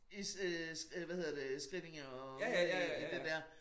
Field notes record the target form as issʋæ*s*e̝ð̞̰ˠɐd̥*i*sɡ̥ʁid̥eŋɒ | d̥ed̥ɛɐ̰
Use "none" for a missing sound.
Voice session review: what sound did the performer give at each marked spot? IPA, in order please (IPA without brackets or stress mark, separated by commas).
h, e